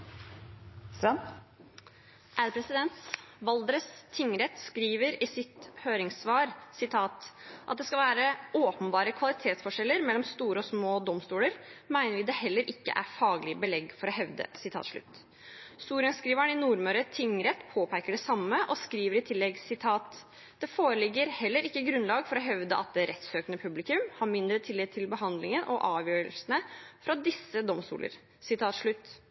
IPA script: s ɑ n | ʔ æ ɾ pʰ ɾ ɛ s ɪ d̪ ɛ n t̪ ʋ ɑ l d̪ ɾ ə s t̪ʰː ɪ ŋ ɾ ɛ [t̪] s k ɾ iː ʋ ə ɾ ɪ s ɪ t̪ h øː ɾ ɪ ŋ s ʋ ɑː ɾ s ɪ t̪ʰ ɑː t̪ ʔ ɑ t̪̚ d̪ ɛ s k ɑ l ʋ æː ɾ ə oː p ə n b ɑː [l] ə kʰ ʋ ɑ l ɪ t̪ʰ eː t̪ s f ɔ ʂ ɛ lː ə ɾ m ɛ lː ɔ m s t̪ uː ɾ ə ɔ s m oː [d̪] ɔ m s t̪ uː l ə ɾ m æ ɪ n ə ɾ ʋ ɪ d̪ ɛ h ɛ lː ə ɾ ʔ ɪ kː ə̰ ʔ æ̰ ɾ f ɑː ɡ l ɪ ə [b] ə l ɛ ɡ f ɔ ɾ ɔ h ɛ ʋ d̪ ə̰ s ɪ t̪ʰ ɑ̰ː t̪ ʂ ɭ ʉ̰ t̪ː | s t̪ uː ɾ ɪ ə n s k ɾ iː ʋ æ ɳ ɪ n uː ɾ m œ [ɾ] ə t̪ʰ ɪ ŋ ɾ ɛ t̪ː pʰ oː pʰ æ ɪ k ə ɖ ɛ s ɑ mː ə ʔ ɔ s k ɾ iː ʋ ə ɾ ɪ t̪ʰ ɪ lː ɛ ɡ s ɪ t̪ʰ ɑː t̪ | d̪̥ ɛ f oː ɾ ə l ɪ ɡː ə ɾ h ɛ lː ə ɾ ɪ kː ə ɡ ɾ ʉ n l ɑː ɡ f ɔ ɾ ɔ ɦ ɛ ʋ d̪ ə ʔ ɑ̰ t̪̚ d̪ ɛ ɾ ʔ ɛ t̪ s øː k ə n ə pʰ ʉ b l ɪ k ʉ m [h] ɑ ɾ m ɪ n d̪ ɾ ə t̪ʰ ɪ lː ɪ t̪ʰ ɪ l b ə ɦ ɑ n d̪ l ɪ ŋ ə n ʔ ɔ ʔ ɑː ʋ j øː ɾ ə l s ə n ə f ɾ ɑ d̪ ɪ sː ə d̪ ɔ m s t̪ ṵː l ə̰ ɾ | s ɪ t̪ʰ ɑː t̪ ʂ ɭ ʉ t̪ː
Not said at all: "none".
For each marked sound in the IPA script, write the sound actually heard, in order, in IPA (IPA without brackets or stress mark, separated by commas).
t̪, ɾ, d̪, b, ɾ, h